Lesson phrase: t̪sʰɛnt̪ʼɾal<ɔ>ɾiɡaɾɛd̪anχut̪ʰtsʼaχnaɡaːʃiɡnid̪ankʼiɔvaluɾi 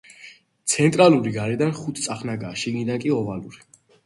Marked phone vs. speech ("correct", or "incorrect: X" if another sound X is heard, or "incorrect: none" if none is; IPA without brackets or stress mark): incorrect: u